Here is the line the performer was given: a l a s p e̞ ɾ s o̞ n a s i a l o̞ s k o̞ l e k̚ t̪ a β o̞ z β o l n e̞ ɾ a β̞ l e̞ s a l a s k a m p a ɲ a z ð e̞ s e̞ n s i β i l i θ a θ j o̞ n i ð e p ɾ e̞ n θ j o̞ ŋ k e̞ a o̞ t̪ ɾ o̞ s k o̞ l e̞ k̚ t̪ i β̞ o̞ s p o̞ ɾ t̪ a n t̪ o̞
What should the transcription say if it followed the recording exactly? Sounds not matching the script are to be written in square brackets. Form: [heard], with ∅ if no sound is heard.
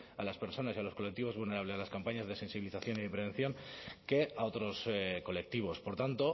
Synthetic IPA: a l a s p e̞ ɾ s o̞ n a s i a l o̞ s k o̞ l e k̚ t̪ [i] β o̞ z β [u] l n e̞ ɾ a β̞ l e̞ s a l a s k a m p a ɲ a z ð e̞ s e̞ n s i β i l i θ a θ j o̞ n i ð e p ɾ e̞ n θ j o̞ ŋ k e̞ a o̞ t̪ ɾ o̞ s k o̞ l e̞ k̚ t̪ i β̞ o̞ s p o̞ ɾ t̪ a n t̪ o̞